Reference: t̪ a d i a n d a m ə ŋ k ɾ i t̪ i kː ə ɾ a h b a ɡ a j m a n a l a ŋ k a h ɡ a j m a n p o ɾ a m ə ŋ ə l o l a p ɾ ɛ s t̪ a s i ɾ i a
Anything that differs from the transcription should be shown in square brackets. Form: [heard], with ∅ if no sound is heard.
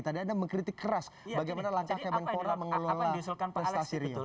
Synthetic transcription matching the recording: t̪ a d i a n d a m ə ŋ k ɾ i t̪ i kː ə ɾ a [s] b a ɡ a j m a n a l a ŋ k a h [k] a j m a n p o ɾ a m ə ŋ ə l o l a p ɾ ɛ s t̪ a s i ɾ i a